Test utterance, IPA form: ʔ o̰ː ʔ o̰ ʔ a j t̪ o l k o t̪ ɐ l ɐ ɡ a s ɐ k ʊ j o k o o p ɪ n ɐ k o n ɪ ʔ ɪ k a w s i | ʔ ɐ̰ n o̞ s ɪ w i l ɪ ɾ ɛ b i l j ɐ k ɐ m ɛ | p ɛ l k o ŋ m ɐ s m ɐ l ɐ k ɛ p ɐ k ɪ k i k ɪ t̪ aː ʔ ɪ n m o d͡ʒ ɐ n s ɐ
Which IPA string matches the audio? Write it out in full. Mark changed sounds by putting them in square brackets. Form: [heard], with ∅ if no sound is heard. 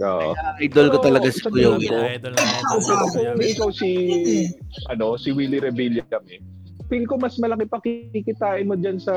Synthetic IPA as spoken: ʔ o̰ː ʔ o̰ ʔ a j [d̪] o l k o t̪ ɐ l ɐ ɡ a s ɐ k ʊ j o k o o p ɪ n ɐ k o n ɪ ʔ ɪ k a w s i | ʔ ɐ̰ n o̞ s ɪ w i l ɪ ɾ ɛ b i l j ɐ k ɐ m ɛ | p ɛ l k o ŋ m ɐ s m ɐ l ɐ k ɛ p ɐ k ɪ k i k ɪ t̪ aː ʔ ɪ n m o d͡ʒ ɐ n s ɐ